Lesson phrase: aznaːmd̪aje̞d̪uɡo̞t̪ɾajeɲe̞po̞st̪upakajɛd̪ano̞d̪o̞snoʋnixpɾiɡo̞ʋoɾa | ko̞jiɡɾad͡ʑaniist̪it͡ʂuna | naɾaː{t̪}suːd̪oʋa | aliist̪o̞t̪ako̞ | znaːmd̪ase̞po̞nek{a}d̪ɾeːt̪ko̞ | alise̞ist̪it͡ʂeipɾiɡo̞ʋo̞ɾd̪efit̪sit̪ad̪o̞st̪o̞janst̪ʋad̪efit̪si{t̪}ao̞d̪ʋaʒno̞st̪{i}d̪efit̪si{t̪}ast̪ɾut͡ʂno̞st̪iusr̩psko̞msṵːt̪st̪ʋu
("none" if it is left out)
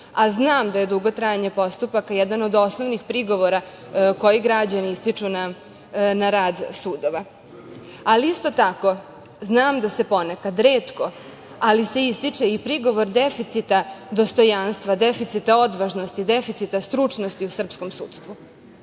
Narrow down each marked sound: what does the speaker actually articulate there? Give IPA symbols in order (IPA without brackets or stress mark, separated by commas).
d̪, a, t̪, i, t̪